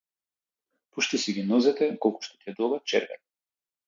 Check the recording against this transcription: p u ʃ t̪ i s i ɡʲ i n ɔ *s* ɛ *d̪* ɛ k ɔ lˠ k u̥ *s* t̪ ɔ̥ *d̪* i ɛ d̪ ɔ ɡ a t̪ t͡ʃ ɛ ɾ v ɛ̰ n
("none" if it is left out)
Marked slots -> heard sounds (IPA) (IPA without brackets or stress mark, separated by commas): z, t̪, ʃ, t̪